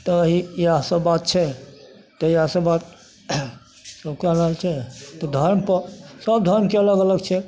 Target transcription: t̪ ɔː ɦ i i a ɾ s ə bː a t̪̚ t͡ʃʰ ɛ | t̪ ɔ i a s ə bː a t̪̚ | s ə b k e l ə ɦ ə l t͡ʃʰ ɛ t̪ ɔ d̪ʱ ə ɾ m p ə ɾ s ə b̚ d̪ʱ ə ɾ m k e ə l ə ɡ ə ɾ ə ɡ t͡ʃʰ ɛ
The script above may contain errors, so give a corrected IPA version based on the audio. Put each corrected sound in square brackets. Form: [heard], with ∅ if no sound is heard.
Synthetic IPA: t̪ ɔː ɦ i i a [∅] s ə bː a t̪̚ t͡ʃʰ ɛ | t̪ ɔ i a s ə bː a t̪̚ | s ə b k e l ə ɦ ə l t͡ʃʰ ɛ t̪ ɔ d̪ʱ ə ɾ m p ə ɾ s ə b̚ d̪ʱ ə ɾ m k e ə l ə ɡ ə [l] ə ɡ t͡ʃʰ ɛ